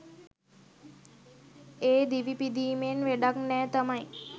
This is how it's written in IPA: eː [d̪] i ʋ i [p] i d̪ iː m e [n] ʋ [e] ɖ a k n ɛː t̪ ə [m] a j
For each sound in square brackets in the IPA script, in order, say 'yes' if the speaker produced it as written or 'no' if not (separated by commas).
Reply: yes, yes, yes, yes, yes